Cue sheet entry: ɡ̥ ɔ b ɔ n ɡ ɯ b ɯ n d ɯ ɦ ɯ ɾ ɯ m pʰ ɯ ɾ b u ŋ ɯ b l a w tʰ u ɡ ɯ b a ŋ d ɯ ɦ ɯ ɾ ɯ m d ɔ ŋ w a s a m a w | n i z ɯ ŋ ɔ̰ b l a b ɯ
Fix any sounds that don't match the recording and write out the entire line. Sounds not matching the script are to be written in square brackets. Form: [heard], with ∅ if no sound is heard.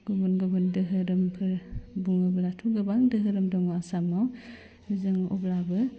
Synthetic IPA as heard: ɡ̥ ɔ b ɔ n ɡ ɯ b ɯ n d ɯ ɦ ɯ ɾ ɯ m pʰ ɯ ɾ b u ŋ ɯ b l a [∅] tʰ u ɡ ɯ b a ŋ d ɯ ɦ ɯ ɾ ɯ m d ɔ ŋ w a s a m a w | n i z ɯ ŋ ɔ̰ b l a b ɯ